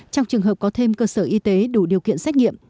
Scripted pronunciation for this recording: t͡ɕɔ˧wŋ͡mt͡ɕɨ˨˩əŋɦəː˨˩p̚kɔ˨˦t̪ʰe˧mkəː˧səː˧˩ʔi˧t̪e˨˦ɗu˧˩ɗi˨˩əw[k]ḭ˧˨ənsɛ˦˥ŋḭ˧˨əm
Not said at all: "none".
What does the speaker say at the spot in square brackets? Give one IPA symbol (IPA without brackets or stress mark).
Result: k